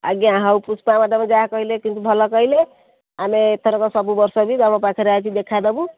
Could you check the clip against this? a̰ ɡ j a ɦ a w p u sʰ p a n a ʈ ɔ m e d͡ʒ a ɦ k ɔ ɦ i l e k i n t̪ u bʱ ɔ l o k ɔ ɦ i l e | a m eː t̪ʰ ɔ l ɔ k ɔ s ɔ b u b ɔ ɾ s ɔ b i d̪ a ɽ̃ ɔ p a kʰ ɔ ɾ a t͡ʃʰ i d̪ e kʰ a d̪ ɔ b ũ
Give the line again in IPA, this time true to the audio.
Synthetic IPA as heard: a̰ ɡ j a ɦ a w p u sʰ p a m a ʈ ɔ m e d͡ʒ a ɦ k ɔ ɦ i l e k i n t̪ u bʱ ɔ l ɔ k ɔ ɦ i l e | a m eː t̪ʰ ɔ ɾ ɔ k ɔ s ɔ b u b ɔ ɾ s ɔ b i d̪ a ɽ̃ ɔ p a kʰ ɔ ɾ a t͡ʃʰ i d̪ e kʰ a d̪ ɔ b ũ